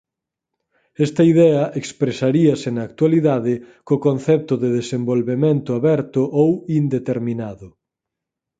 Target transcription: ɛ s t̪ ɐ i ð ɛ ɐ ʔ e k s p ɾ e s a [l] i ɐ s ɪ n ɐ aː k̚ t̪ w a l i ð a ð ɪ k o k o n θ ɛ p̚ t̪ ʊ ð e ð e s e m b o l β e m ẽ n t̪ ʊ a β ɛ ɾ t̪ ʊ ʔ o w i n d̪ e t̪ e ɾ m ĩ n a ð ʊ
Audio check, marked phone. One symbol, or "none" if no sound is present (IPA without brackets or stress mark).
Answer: ɾ